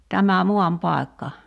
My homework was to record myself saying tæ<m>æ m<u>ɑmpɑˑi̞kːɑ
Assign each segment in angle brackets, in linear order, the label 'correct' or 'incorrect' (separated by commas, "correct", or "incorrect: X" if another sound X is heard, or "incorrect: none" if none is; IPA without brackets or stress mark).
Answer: correct, correct